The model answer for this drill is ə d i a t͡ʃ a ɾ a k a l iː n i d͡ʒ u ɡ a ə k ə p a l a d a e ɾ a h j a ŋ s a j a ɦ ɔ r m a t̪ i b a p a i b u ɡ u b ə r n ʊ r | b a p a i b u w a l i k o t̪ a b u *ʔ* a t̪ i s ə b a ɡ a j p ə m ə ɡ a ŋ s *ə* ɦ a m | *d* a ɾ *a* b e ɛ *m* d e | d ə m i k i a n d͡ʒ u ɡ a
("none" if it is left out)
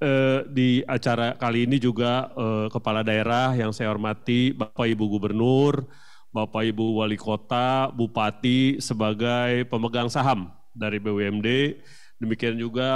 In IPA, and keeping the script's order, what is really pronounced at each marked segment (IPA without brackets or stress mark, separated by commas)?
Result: p, a, d, i, m